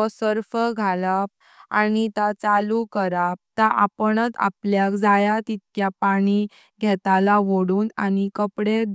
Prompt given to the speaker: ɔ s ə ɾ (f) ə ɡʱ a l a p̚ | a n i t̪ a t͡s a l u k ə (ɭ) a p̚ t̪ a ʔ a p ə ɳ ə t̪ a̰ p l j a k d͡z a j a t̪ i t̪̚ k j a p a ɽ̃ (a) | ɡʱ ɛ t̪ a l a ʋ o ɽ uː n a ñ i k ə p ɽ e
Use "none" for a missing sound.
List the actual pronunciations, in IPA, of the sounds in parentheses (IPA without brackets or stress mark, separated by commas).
f, ɾ, i